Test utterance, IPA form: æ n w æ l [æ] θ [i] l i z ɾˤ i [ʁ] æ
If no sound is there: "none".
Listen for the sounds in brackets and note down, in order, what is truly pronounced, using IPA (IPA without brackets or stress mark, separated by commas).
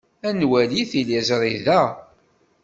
i, i, ð